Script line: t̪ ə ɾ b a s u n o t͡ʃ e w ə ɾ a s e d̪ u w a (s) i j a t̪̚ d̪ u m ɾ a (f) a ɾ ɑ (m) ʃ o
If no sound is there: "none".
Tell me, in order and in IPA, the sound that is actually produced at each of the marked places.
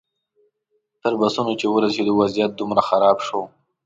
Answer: z, x, b

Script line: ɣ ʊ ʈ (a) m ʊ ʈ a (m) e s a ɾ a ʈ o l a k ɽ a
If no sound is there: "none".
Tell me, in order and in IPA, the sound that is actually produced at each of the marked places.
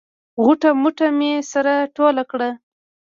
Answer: a, m

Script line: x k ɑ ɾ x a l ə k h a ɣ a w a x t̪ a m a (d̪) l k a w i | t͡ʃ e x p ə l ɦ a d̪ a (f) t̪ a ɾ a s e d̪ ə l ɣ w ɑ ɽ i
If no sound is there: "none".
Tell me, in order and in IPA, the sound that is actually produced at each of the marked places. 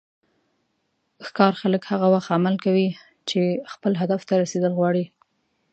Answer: none, f

